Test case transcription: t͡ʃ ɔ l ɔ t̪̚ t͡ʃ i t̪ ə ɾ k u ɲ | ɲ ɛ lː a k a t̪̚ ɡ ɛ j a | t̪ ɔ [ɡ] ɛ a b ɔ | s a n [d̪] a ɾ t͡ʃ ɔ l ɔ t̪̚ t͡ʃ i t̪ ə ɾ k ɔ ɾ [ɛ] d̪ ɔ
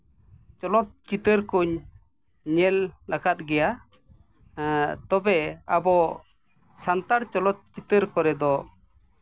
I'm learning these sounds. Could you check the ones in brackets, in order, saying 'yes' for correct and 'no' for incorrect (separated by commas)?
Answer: no, no, yes